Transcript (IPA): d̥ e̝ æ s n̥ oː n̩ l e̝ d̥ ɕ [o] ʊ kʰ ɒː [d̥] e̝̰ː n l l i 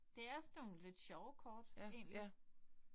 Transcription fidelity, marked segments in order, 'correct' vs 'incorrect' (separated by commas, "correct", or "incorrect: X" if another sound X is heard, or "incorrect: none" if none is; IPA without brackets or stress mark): incorrect: ɒ, correct